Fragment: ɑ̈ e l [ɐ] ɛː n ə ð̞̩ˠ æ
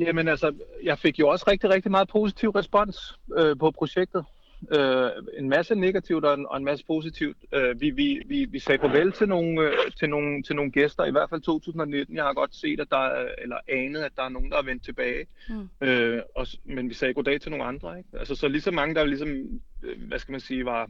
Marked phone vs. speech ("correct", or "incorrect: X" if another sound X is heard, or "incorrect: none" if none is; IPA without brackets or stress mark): correct